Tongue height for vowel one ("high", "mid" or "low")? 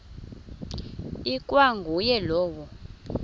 high